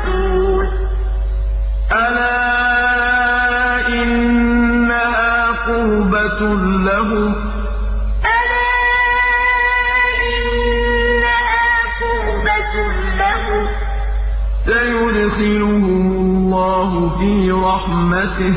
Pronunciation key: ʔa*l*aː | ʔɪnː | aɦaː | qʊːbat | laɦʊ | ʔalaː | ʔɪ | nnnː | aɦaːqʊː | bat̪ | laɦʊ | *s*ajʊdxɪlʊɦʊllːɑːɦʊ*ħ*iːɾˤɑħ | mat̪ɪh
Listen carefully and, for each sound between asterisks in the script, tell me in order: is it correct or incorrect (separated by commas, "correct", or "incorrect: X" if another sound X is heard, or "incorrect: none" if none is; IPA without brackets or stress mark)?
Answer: correct, correct, incorrect: f